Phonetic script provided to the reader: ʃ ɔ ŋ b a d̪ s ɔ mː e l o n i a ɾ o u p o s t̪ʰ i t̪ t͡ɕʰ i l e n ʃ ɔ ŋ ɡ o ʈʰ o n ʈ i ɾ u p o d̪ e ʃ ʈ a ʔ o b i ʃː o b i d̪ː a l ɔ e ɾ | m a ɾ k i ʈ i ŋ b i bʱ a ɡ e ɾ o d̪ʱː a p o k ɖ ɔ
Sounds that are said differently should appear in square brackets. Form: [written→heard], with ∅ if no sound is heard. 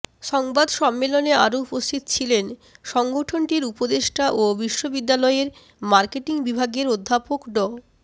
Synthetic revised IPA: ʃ ɔ ŋ b a d̪ [s→ʃ] ɔ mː e l o n [i→e] a ɾ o u p o s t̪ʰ i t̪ t͡ɕʰ i l e n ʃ ɔ ŋ ɡ o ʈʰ o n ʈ i ɾ u p o d̪ e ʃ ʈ a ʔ o b i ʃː o b i d̪ː a l ɔ e ɾ | m a ɾ k [i→e] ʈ i ŋ b i bʱ a ɡ e ɾ o d̪ʱː a p o k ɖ ɔ

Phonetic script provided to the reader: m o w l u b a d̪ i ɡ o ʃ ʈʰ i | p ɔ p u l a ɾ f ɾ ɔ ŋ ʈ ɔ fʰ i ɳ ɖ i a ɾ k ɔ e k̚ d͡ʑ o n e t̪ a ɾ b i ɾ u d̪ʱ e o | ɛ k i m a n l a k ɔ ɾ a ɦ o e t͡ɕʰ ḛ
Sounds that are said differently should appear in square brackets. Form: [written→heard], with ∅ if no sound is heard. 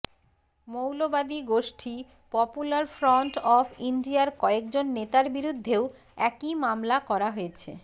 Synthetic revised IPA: m o w l [u→o] b a d̪ i ɡ o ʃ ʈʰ i | p ɔ p u l a ɾ f ɾ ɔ [ŋ→ɳ] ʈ ɔ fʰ i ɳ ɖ i a ɾ k ɔ e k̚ d͡ʑ o [n→nː] e t̪ a ɾ b i ɾ u [d̪ʱ→d̪ʱː] e o | ɛ k i m a [n→m] l a k ɔ ɾ a ɦ o e t͡ɕʰ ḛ

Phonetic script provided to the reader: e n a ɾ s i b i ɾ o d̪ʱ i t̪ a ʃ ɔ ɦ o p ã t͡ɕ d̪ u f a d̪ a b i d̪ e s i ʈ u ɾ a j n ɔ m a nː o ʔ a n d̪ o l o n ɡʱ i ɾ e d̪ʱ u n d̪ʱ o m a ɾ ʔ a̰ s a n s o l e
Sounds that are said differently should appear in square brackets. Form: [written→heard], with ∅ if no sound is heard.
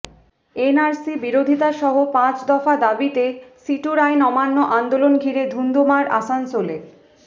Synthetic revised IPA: e n a ɾ s i b i ɾ o d̪ʱ i t̪ a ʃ ɔ ɦ o p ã t͡ɕ d̪ [u→ɔ] f a d̪ a b i [d̪→t̪] e s i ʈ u ɾ a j n ɔ m a nː o ʔ a n d̪ o l o n ɡʱ i ɾ e d̪ʱ u n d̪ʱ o m a ɾ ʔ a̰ s a n s o l e

